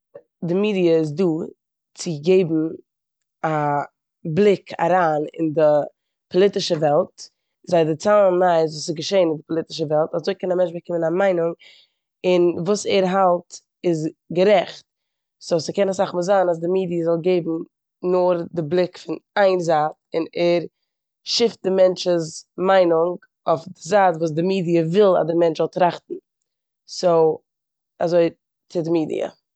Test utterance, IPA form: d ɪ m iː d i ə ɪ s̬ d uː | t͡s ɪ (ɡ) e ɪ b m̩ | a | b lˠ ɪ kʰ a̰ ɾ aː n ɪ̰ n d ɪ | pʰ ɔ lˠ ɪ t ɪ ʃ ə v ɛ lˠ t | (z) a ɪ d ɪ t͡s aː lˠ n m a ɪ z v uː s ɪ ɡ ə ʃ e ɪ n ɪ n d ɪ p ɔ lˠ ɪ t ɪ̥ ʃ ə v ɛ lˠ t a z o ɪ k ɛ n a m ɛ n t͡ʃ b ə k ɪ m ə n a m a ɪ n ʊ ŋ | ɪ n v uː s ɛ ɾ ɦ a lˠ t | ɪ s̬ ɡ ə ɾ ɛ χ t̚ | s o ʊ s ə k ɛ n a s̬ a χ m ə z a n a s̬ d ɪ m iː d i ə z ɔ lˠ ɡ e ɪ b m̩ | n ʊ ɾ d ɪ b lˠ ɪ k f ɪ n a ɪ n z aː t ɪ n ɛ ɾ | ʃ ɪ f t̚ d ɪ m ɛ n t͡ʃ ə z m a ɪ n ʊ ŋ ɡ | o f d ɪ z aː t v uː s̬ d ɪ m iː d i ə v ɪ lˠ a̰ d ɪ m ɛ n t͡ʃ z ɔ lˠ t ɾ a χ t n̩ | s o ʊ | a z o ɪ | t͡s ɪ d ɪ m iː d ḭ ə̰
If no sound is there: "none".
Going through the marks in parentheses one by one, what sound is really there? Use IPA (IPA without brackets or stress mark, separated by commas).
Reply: ɡ, z